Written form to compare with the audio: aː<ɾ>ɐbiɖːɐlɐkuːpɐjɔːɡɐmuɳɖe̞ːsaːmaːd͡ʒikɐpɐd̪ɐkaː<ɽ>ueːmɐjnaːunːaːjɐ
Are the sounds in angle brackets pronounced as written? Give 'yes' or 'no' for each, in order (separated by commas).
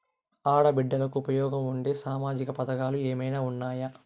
no, no